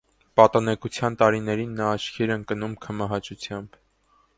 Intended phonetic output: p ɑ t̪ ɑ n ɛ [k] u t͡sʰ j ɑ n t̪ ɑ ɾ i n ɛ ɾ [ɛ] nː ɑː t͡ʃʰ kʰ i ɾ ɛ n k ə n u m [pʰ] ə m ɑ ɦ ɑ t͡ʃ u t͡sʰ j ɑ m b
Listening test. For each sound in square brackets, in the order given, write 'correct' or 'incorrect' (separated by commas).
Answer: correct, incorrect, incorrect